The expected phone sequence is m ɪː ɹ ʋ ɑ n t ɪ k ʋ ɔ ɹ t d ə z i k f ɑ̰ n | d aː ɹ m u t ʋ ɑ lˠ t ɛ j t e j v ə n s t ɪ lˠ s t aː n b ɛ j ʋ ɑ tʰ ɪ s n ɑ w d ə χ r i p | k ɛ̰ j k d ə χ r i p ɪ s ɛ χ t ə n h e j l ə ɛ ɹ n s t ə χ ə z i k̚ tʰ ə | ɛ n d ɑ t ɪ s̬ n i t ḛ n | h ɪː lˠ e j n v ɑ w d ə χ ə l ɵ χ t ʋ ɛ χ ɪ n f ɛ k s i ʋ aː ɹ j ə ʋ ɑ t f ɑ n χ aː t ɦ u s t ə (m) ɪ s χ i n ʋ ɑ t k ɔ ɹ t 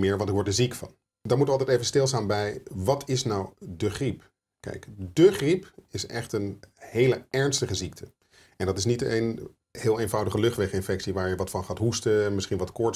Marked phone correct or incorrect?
correct